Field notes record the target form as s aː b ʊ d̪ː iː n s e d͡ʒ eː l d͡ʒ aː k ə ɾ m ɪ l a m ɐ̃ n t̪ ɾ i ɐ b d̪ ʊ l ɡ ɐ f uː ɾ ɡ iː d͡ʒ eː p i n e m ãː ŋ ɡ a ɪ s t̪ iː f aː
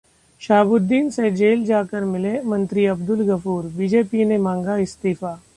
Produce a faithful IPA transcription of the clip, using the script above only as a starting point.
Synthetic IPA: ʃ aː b ʊ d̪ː iː n s e d͡ʒ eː l d͡ʒ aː k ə ɾ m ɪ l e m ɐ̃ n t̪ ɾ i ɐ b d̪ ʊ l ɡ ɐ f uː ɾ b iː d͡ʒ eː p i n e m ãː ŋ ɡ a ɪ s t̪ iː f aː